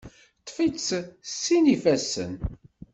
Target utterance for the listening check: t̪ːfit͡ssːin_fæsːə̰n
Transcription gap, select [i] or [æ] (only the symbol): i